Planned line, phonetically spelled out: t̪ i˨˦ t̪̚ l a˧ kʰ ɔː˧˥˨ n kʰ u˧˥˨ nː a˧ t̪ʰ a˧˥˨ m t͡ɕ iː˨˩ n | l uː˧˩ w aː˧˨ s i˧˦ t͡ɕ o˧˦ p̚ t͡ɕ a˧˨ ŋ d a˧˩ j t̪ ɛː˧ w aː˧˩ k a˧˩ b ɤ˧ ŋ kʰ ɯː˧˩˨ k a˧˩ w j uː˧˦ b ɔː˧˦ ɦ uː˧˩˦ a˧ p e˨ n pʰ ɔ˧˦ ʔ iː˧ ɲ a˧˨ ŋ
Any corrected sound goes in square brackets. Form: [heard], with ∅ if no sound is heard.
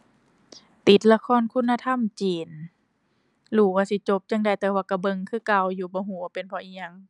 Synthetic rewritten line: t̪ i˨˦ t̪̚ l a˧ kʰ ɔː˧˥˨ n kʰ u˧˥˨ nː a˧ t̪ʰ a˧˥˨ m t͡ɕ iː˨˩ n | l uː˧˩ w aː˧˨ s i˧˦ t͡ɕ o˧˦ p̚ t͡ɕ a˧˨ ŋ d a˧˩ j t̪ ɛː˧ w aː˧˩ k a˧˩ b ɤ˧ ŋ kʰ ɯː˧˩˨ k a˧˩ w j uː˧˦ b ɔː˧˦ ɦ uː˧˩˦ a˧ p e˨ n pʰ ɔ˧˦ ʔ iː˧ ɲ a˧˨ ŋ